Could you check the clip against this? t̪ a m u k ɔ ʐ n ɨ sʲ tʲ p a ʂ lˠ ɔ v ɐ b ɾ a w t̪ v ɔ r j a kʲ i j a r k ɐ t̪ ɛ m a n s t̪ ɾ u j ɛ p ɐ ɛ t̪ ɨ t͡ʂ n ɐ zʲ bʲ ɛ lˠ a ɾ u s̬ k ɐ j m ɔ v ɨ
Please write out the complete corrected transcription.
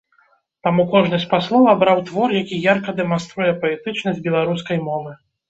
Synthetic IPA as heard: t̪ a m u k ɔ ʐ n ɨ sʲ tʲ p a s lˠ ɔ v ɐ b ɾ a w t̪ v ɔ r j a kʲ i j a r k ɐ d̪ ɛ m a n s t̪ ɾ u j ɛ p ɐ ɛ t̪ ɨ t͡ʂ n ɐ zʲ bʲ ɛ lˠ a ɾ u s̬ k ɐ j m ɔ v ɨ